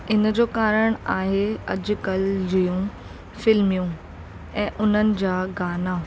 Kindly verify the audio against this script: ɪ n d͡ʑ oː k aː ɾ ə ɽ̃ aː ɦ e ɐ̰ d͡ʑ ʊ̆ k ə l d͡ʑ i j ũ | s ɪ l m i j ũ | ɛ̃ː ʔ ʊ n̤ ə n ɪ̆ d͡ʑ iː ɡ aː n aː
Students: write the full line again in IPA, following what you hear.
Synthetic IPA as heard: ɪ n d͡ʑ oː k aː ɾ ə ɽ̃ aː ɦ e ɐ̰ d͡ʑ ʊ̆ k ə l d͡ʑ i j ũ | f ɪ l m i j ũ | ɛ̃ː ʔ ʊ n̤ ə n ɪ̆ d͡ʑ aː ɡ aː n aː